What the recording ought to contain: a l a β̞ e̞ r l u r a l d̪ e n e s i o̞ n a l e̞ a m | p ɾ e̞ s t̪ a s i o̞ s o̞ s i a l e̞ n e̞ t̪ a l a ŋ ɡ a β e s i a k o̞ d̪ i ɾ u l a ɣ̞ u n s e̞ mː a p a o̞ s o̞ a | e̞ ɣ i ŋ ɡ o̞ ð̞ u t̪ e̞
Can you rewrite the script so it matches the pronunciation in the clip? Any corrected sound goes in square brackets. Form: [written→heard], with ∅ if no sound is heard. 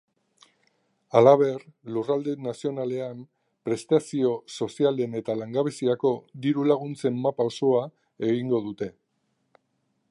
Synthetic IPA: a l a β̞ e̞ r l u r a l d̪ e n [e→a] s i o̞ n a l e̞ a m | p ɾ e̞ s t̪ a s i o̞ s o̞ s i a l e̞ n e̞ t̪ a l a ŋ ɡ a β e s i a k o̞ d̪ i ɾ u l a ɣ̞ u n [s→t͡s] e̞ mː a p a o̞ s o̞ a | e̞ ɣ i ŋ ɡ o̞ ð̞ u t̪ e̞